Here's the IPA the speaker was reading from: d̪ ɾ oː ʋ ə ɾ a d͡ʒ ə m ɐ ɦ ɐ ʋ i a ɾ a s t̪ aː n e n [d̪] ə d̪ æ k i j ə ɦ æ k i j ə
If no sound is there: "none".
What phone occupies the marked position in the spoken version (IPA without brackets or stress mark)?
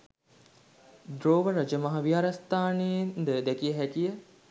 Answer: d̪